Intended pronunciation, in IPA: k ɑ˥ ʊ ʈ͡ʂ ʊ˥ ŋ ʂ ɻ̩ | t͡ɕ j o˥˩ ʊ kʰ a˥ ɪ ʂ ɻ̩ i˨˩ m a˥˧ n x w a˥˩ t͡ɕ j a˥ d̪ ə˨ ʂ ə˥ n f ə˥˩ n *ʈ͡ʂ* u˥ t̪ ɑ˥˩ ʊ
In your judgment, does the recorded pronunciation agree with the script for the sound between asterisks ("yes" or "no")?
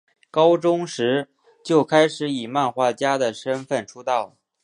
no